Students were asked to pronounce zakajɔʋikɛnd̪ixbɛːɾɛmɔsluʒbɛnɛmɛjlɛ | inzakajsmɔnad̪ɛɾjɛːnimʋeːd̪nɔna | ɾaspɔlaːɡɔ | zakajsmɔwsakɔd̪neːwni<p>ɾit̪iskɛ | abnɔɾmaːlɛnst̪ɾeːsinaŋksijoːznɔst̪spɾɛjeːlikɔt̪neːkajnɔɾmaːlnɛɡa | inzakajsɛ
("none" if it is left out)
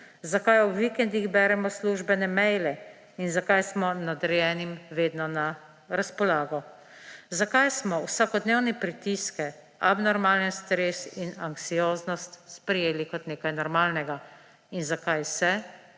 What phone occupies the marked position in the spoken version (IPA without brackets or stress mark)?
p